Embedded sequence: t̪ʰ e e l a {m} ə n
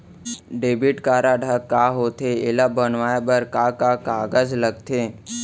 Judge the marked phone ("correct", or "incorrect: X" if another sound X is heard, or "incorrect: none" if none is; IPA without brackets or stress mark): incorrect: b